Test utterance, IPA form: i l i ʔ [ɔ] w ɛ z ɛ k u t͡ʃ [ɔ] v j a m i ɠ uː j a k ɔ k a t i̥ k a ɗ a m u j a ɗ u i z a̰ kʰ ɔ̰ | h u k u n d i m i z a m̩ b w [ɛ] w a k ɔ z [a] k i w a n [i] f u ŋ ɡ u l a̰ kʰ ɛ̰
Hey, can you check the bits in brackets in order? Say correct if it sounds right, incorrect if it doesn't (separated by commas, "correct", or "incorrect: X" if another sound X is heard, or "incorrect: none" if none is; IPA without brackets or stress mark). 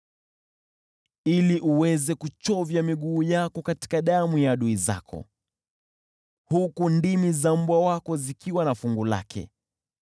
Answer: incorrect: u, correct, incorrect: a, incorrect: i, incorrect: a